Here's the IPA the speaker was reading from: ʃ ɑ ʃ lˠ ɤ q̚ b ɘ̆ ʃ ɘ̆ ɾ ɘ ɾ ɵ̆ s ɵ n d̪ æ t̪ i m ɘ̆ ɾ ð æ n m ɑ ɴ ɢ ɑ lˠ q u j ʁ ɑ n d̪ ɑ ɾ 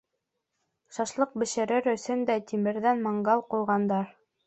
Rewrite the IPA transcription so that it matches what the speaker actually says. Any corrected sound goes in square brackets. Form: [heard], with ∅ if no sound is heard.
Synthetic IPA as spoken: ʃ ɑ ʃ lˠ ɤ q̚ b ɘ̆ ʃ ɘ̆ ɾ ɘ ɾ ɵ̆ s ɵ n d̪ æ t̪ i m ɘ̆ ɾ ð æ n m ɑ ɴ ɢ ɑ lˠ q u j ʁ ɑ n d̪ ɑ ɾ